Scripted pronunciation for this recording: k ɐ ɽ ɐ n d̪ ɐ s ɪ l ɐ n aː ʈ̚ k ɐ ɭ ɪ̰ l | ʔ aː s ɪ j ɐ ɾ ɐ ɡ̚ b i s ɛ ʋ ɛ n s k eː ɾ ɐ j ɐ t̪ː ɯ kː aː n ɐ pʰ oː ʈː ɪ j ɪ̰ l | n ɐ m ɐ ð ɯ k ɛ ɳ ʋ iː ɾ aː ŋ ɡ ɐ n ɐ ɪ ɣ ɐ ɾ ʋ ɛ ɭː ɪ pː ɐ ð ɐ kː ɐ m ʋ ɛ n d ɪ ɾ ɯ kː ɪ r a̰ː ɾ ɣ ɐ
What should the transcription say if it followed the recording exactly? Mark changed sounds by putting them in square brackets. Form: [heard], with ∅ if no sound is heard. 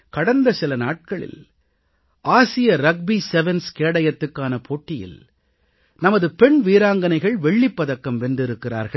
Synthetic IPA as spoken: k ɐ ɽ ɐ n d̪ ɐ s ɪ l ɐ n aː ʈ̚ k ɐ ɭ ɪ̰ l | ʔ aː s ɪ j ɐ ɾ ɐ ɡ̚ b i s ɛ ʋ ɛ n s k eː [ɽ] ɐ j ɐ t̪ː ɯ kː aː n ɐ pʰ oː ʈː ɪ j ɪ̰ l | n ɐ m ɐ ð ɯ [p] ɛ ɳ ʋ iː ɾ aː ŋ ɡ ɐ n ɐ ɪ ɣ ɐ [ɭ] ʋ ɛ ɭː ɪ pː ɐ ð ɐ kː ɐ m ʋ ɛ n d ɪ ɾ ɯ kː ɪ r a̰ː ɾ ɣ ɐ